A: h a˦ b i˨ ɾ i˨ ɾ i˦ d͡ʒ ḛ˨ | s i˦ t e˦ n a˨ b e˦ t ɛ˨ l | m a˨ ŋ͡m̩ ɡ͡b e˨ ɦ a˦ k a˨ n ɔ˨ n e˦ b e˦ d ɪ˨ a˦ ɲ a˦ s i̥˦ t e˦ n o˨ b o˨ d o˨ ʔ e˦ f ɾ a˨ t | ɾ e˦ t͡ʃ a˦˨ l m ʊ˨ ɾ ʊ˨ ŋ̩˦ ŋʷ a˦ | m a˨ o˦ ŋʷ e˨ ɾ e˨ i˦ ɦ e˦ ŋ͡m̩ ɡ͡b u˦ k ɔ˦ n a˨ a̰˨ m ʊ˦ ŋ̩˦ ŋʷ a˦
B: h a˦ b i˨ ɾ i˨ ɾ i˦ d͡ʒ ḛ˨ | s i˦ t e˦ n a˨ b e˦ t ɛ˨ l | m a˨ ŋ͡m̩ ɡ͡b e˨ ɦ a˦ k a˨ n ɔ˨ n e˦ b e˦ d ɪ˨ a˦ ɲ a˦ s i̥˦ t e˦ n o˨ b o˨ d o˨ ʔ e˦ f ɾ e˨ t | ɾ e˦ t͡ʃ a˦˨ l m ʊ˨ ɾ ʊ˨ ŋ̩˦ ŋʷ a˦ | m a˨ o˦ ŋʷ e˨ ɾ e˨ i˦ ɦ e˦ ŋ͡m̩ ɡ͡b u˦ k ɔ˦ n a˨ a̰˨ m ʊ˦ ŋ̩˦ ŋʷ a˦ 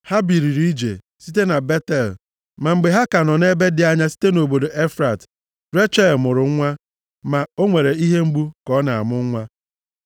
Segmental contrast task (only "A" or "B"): A